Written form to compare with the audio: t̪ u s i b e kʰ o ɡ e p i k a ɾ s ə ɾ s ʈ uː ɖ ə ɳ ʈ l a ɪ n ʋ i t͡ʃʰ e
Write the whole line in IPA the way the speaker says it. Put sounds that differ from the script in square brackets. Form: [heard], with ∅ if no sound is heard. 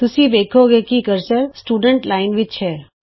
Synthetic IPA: t̪ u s i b e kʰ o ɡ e [k] i k [ə] ɾ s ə ɾ s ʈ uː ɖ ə ɳ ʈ l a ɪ n ʋ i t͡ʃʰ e

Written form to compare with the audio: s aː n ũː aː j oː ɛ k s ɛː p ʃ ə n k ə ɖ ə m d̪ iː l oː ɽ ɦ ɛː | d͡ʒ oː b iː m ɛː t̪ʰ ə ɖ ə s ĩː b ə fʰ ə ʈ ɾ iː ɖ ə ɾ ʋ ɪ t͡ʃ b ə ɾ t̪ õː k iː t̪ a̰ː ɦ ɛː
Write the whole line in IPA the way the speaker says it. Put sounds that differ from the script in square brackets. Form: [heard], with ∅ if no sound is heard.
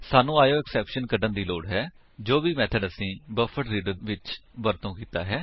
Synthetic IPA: s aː n ũː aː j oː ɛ k s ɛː p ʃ ə n k ə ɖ ə [n] d̪ iː l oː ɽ ɦ ɛː | d͡ʒ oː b iː m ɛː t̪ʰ ə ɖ ə s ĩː b ə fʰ ə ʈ ɾ iː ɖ ə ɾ ʋ ɪ t͡ʃ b ə ɾ t̪ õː k iː t̪ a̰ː ɦ ɛː

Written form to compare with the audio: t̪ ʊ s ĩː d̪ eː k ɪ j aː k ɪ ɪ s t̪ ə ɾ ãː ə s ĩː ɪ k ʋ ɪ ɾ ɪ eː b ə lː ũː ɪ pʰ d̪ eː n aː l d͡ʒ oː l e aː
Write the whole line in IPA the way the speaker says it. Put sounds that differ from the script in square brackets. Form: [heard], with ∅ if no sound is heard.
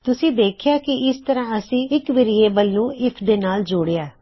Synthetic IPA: t̪ ʊ s ĩː d̪ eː [kʰ] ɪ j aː k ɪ ɪ s t̪ ə ɾ ãː ə s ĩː ɪ k ʋ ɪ ɾ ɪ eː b ə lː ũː ɪ pʰ d̪ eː n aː l d͡ʒ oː [ɽ] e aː

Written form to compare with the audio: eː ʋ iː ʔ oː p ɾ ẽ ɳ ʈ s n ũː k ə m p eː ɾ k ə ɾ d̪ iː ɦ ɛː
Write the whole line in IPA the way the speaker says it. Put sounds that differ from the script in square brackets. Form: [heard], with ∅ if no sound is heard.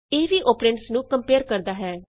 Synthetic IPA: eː ʋ iː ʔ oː p ɾ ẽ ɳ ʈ s n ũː k ə m p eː ɾ k ə ɾ d̪ [aː] ɦ ɛː

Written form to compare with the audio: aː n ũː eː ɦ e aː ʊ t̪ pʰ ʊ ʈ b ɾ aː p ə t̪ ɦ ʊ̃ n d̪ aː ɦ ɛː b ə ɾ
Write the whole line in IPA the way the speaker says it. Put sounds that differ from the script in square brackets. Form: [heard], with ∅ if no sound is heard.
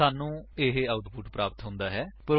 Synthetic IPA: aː n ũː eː ɦ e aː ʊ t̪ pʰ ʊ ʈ [p] ɾ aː p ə t̪ ɦ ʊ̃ n d̪ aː ɦ ɛː [p] ə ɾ

